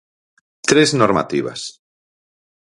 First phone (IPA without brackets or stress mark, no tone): t̪